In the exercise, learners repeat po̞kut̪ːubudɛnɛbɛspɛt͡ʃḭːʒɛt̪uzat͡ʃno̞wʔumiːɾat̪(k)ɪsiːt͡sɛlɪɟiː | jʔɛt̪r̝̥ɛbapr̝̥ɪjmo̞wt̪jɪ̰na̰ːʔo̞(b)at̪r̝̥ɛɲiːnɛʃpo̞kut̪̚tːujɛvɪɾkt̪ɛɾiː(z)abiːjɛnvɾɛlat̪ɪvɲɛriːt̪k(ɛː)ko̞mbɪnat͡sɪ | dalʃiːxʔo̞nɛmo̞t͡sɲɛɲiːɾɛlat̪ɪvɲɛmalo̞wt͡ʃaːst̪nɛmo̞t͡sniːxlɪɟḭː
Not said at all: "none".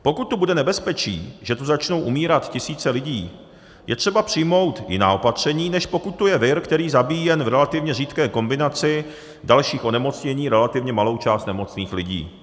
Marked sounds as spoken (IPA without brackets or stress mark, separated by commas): c, p, z, ɛː